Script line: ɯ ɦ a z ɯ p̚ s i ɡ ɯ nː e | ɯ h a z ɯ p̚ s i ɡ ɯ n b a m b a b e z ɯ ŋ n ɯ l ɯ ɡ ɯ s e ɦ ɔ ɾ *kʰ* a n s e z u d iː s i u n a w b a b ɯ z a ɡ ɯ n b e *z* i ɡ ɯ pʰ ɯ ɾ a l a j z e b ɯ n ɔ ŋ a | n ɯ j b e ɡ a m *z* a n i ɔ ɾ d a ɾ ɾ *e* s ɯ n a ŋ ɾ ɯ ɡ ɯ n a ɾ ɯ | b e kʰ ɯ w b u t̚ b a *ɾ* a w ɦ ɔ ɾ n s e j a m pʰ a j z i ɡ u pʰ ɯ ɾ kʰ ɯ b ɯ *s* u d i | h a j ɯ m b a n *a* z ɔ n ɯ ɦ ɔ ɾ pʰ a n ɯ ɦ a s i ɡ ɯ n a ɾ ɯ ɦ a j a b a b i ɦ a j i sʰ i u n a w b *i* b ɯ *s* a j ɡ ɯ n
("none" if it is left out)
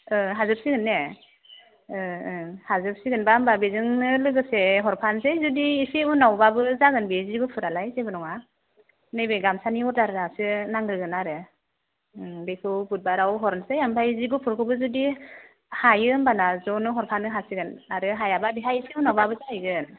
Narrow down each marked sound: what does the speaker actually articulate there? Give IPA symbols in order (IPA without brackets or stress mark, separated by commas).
pʰ, z, s, a, ɾ, z, a, a, z